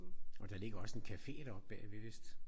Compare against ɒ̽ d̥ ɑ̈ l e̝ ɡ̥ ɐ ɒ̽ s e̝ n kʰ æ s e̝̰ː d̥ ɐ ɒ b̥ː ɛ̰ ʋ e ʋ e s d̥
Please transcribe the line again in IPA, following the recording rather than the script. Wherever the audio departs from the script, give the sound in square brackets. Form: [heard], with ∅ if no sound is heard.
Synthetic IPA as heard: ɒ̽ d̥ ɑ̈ l e̝ ɡ̥ ɐ ɒ̽ s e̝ n kʰ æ [f] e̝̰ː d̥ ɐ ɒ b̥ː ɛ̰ ʋ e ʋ e s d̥

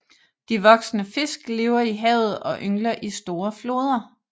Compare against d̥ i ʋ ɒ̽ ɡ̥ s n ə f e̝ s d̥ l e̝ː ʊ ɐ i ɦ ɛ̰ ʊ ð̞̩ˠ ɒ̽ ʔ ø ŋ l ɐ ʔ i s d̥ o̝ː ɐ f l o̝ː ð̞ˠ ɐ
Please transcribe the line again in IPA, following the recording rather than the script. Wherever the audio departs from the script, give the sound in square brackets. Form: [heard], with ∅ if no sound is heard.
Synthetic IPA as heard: d̥ i ʋ ɒ̽ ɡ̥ s n ə f e̝ s [ɡ̥] l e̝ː ʊ ɐ i ɦ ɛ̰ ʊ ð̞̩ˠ ɒ̽ ʔ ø ŋ l ɐ ʔ i s d̥ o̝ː ɐ f l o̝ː ð̞ˠ ɐ

